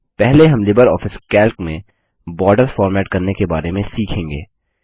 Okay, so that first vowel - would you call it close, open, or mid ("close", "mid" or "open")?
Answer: mid